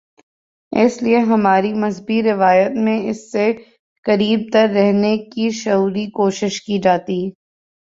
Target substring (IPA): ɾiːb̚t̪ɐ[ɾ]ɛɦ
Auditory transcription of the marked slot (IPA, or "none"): ɾː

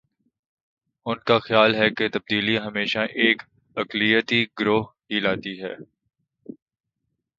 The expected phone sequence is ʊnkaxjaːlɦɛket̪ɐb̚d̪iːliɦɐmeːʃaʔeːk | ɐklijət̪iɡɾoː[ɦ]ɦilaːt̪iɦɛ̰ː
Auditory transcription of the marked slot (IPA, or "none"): ɦ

